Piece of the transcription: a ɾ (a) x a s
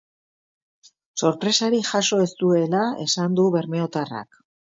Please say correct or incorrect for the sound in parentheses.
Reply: incorrect